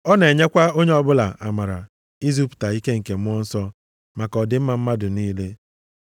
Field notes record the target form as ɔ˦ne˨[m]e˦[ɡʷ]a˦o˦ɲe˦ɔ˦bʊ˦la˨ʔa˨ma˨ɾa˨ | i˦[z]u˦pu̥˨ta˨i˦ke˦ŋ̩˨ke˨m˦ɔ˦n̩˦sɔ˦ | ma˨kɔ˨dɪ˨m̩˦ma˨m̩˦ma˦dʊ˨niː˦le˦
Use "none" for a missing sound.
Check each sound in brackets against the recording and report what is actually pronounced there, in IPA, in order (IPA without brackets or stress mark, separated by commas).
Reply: ɲ, kʷ, z